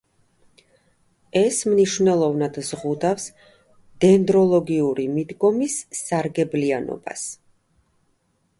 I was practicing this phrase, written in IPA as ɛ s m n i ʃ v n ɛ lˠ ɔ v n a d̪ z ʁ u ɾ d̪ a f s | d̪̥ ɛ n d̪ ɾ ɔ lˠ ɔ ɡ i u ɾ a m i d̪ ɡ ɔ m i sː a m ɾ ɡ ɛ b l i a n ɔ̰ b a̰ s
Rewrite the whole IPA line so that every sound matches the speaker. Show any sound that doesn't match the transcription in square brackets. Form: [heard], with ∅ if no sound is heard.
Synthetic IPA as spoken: ɛ s m n i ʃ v n ɛ lˠ ɔ v n a d̪ z ʁ u [∅] d̪ a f s | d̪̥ ɛ n d̪ ɾ ɔ lˠ ɔ ɡ i u ɾ [i] m i d̪ ɡ ɔ m i sː a [∅] ɾ ɡ ɛ b l i a n ɔ̰ b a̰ s

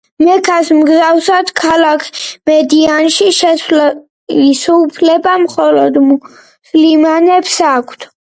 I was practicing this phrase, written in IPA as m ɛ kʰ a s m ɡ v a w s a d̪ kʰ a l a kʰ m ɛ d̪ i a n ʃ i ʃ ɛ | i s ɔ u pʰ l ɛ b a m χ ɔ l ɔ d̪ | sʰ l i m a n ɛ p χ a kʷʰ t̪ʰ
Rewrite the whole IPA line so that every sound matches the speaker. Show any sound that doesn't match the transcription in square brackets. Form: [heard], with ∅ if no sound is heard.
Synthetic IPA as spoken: m ɛ kʰ a s m ɡ [z] a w s a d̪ kʰ a l a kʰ m ɛ d̪ i a n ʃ i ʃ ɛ | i s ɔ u pʰ l ɛ b a m χ ɔ l ɔ d̪ | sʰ l i m a n ɛ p [s] a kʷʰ t̪ʰ

